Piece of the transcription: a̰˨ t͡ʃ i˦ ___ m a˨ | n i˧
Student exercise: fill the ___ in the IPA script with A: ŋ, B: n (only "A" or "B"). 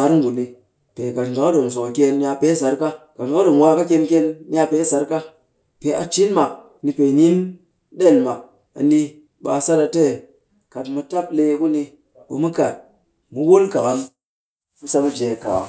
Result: B